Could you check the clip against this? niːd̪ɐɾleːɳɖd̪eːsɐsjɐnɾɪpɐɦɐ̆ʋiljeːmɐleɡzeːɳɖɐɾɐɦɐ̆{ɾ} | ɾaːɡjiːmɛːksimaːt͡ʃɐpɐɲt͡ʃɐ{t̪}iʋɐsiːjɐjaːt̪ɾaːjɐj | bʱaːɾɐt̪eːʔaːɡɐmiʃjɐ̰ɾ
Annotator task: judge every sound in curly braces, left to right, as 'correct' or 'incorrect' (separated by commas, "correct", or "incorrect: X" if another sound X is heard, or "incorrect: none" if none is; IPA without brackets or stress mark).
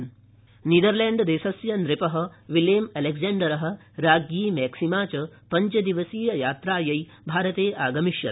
incorrect: none, incorrect: d̪